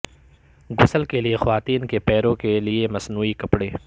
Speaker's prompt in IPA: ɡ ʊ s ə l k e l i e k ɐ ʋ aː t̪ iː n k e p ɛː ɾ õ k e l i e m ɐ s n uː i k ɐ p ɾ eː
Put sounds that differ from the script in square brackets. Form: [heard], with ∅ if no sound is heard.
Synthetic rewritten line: ɡ ʊ s ə l k e l i e [x] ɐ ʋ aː t̪ iː n k e p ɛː ɾ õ k e l i e m ɐ s n uː i k ɐ p [ɽ] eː